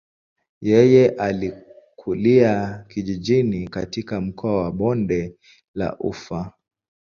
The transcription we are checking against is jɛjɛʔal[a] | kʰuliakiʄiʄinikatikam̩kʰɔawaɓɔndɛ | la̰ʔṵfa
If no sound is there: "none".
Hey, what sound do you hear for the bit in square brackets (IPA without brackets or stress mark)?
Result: i